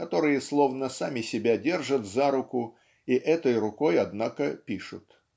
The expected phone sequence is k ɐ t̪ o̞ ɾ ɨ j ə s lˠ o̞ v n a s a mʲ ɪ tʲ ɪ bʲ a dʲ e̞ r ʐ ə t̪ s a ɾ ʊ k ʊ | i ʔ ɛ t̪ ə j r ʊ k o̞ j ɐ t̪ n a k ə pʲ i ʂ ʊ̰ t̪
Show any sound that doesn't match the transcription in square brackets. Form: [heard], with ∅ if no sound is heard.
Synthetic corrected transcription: k ɐ t̪ o̞ ɾ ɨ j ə s lˠ o̞ v n [ə] s a mʲ ɪ [sʲ] ɪ bʲ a dʲ e̞ r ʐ ə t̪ [z] a ɾ ʊ k ʊ | i ʔ ɛ t̪ ə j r ʊ k o̞ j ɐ [d̪] n a k ə pʲ i ʂ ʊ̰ t̪